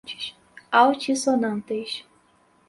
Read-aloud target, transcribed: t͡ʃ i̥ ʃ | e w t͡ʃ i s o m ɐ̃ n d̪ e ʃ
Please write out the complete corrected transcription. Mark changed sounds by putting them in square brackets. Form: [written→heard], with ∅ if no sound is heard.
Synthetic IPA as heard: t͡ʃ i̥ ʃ | [e→a] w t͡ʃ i s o [m→n] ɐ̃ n [d̪→t̪] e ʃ